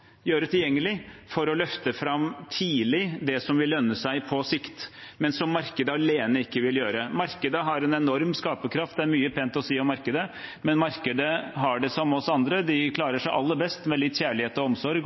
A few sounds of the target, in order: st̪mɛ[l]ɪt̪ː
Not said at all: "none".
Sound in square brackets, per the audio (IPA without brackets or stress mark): l